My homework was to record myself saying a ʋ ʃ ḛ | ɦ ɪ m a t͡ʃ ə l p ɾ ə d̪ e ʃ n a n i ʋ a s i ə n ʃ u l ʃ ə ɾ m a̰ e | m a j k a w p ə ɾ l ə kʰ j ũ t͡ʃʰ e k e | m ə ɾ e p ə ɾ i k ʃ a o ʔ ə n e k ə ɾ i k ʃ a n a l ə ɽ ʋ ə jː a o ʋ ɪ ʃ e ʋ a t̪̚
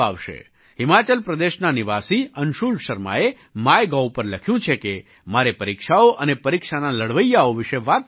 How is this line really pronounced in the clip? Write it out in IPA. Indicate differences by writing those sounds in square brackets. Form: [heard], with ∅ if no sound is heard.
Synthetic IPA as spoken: a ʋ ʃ ḛ | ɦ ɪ m a t͡ʃ ə l p ɾ ə d̪ e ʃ n a n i ʋ a s i ə n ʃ u l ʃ ə ɾ m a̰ e | m a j [ɡ] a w p ə ɾ l ə kʰ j ũ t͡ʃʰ e k e | m [a] ɾ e p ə ɾ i k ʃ a o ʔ ə n e [p] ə ɾ i k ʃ a n a l ə ɽ ʋ ə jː a o ʋ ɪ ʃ e ʋ a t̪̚